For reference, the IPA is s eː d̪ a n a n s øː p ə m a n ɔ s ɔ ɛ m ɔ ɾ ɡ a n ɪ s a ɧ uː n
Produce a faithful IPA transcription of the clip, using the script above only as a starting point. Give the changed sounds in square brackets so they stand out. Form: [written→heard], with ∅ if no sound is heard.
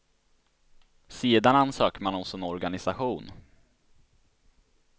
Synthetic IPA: s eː d̪ a n a n s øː [p→k] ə m a n ɔ s ɔ ɛ [m→n] ɔ ɾ ɡ a n ɪ s a ɧ uː n